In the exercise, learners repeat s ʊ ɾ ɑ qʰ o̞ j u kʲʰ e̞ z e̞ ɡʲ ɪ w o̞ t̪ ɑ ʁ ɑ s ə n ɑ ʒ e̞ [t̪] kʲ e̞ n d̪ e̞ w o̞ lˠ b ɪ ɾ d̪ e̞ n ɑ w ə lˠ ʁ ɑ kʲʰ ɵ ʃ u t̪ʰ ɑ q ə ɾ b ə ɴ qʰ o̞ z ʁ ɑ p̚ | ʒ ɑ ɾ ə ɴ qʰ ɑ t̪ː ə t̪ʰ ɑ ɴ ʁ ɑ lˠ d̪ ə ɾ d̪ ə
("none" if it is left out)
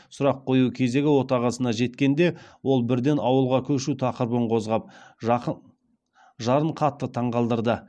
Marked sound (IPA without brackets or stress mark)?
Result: t̪